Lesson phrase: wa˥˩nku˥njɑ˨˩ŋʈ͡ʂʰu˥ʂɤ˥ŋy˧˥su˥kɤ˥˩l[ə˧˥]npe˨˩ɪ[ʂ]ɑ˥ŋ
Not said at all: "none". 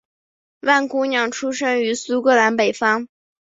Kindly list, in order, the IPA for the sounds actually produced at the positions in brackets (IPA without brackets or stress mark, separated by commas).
a˧˥, f